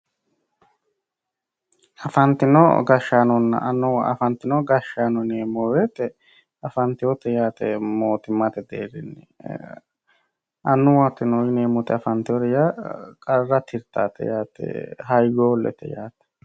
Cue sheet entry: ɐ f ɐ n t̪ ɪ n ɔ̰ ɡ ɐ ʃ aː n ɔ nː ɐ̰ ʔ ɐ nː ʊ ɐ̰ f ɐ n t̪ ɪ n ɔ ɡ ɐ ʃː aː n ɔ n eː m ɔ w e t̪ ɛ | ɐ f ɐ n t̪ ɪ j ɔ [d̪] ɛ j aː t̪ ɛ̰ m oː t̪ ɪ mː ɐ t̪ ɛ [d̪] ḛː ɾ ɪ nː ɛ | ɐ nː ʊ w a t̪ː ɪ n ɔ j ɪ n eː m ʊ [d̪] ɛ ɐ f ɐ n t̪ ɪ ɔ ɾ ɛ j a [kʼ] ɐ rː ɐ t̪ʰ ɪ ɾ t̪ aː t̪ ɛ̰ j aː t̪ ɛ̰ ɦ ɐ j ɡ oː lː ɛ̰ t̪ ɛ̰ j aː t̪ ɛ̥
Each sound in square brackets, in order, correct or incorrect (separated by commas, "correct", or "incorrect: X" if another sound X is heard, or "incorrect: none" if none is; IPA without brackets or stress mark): incorrect: t̪, correct, incorrect: t̪, correct